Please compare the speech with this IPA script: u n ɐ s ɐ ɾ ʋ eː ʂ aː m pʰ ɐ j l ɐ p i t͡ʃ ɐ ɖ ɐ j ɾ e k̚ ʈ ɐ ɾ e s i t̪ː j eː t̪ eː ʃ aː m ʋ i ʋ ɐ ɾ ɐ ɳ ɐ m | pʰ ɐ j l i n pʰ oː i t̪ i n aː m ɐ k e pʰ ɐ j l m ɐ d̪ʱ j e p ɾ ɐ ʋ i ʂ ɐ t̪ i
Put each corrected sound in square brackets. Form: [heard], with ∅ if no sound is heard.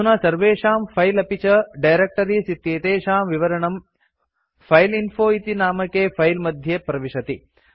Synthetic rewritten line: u n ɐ s ɐ ɾ ʋ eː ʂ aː m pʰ ɐ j l ɐ p i t͡ʃ ɐ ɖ ɐ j ɾ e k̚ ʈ ɐ ɾ [i] s i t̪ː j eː t̪ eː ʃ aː m ʋ i ʋ ɐ ɾ ɐ ɳ ɐ m | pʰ ɐ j l i n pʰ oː i t̪ i n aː m ɐ k e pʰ ɐ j l m ɐ d̪ʱ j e p ɾ ɐ ʋ i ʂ ɐ t̪ i